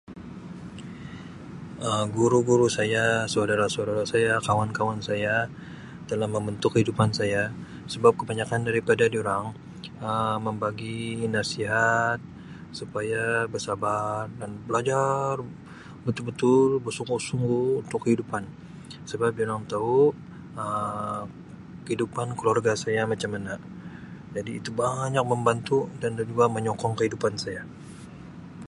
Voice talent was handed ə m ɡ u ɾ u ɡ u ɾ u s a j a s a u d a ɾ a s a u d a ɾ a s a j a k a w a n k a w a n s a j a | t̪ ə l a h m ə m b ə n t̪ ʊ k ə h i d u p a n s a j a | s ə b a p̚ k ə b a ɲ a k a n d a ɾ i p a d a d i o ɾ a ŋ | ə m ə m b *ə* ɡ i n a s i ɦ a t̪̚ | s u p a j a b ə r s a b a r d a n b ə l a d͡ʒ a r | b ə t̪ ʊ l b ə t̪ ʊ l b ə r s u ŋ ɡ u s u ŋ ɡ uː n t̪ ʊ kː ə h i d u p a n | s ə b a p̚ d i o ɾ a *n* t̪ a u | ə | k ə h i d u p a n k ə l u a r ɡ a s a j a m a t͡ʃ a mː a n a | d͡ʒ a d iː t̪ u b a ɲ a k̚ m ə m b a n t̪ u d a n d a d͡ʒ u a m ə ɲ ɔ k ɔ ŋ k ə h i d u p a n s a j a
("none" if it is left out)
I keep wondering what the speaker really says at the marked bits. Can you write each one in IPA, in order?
a, ŋ

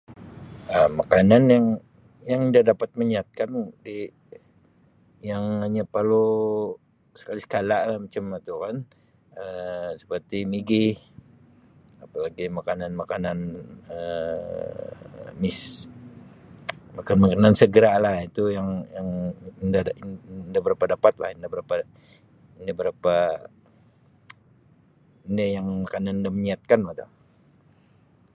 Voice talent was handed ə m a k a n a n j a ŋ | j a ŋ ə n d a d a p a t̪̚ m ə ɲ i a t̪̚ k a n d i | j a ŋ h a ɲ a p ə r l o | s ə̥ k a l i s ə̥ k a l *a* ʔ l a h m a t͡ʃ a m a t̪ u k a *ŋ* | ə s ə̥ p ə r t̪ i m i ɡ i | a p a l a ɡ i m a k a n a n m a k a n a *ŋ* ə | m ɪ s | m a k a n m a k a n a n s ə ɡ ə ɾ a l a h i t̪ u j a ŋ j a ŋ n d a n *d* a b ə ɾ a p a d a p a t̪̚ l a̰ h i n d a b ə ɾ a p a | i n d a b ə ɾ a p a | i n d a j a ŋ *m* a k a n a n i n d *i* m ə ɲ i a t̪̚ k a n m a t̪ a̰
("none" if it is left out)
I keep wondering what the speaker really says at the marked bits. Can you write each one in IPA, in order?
a, n, n, d, m, a

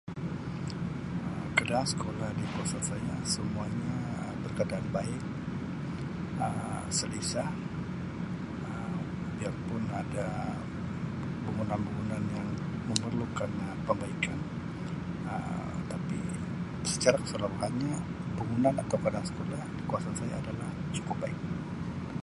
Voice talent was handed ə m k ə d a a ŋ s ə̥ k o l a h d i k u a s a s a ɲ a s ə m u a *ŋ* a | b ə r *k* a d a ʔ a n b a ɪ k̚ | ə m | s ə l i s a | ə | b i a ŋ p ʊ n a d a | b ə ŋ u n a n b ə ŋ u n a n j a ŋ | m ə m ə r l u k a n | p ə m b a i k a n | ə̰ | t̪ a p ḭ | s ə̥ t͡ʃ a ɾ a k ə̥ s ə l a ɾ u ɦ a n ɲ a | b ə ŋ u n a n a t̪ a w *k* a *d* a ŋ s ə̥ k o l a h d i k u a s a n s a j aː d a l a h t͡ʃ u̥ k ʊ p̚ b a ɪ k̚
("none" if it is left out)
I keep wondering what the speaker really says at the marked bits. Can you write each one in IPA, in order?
ɲ, k, k, d

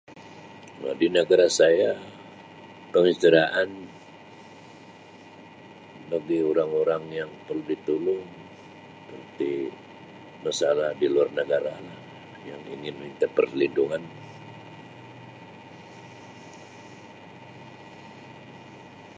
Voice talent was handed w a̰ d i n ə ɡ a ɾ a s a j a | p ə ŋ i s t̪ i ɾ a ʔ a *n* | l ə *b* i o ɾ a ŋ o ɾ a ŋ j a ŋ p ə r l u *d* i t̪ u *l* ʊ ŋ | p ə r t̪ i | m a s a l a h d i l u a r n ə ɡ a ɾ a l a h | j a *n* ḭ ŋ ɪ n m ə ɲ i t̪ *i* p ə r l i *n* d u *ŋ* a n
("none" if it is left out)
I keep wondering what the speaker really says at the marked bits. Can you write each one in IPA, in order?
n, ɡ, d, l, ŋ, a, n, ŋ

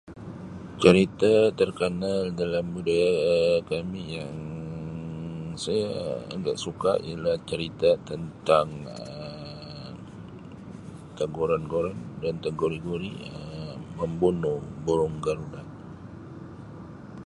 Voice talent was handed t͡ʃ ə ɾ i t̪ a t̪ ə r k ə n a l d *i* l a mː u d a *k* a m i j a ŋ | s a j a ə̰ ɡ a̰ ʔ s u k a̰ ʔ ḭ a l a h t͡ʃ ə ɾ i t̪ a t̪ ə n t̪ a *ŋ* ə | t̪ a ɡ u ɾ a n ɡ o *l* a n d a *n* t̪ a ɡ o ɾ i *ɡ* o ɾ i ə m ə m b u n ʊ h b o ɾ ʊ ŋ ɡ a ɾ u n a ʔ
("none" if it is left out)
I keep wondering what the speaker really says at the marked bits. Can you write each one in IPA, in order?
a, k, ŋ, ɾ, n, ɡ

